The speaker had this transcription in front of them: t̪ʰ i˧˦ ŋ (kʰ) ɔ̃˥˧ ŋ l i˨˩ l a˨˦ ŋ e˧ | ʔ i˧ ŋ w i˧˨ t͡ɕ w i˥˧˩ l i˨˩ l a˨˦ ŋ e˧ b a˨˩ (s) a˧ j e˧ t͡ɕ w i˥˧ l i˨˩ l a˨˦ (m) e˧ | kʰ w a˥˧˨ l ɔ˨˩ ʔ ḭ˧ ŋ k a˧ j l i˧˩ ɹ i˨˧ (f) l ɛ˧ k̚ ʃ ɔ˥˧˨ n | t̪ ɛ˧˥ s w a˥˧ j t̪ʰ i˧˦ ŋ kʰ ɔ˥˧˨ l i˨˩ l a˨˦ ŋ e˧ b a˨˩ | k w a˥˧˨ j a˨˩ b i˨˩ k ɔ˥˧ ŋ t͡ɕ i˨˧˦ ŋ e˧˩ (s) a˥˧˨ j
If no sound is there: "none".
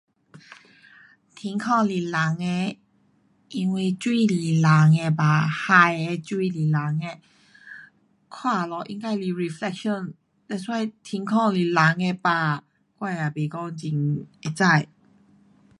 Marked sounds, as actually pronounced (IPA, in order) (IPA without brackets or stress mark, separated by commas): kʰ, h, ŋ, f, t͡s